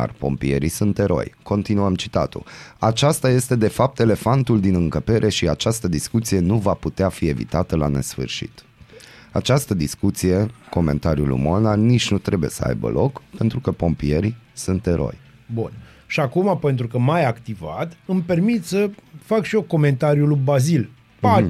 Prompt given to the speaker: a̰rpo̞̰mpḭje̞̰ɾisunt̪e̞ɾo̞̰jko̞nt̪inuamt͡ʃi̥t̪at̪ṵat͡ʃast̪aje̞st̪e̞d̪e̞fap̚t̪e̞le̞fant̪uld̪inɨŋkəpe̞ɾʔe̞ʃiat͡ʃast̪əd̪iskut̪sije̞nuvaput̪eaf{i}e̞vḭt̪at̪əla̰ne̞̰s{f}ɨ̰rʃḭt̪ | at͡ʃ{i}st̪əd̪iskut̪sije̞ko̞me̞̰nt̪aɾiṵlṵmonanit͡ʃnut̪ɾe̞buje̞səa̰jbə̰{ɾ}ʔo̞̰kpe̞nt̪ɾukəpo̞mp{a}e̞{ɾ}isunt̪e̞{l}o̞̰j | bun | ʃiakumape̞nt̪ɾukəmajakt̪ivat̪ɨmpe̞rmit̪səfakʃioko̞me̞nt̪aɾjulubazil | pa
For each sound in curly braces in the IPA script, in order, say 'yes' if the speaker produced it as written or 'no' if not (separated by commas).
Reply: yes, yes, no, no, no, yes, no